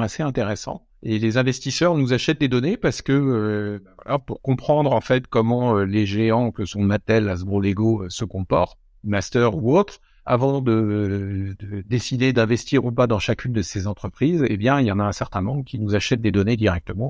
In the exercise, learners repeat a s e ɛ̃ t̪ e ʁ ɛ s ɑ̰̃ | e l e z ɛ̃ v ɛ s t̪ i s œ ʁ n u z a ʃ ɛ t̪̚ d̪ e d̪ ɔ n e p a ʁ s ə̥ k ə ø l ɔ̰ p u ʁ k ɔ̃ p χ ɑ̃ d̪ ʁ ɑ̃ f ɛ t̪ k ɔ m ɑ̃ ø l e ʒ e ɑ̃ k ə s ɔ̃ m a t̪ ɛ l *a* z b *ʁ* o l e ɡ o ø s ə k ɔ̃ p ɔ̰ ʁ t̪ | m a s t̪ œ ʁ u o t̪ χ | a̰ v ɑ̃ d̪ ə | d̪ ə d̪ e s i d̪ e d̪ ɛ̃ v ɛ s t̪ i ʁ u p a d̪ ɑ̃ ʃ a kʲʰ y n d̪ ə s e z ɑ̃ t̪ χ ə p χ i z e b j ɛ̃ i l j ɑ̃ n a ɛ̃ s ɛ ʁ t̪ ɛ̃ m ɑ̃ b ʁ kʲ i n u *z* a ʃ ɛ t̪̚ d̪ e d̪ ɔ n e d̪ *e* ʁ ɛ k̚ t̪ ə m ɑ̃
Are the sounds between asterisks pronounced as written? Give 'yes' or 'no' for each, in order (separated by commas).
yes, yes, yes, no